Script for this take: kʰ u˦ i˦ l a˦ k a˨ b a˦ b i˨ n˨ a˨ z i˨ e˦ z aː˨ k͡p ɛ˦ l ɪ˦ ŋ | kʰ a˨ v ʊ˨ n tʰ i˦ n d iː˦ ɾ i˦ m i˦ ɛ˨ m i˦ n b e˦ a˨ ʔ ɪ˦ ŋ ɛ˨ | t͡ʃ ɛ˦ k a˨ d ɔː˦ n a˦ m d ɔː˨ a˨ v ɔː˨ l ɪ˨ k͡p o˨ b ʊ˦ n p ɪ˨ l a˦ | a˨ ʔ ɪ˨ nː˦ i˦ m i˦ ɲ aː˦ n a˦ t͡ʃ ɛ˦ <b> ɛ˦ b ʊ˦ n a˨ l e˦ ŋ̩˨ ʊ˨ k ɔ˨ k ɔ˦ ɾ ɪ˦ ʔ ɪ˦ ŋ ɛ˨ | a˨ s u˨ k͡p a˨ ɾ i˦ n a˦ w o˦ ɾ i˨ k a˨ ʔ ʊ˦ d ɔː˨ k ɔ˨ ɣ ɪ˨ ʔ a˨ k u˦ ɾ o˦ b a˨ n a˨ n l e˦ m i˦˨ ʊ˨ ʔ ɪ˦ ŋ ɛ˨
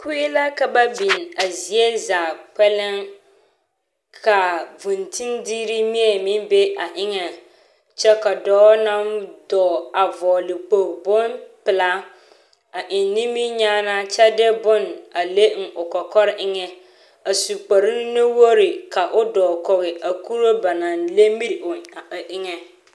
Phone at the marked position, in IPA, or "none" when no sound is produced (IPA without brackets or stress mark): d